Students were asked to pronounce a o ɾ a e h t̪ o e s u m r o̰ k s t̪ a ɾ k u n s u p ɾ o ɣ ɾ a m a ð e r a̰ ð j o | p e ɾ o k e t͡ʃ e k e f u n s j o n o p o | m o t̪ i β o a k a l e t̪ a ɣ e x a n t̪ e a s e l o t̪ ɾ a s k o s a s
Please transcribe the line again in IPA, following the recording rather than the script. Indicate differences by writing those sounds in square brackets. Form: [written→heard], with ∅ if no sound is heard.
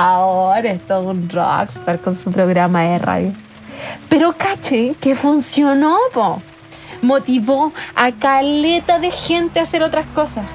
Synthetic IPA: a o ɾ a e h t̪ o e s u [m→n] r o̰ k s t̪ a ɾ k [u→o] n s u p ɾ o ɣ ɾ a m a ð e r a̰ ð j o | p e ɾ o k [e→a] t͡ʃ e k e f u n s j o n o p o | m o t̪ i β o a k a l e t̪ a [ɣ→ð] e x [a→e] n t̪ e a s e [l→ɾ] o t̪ ɾ a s k o s a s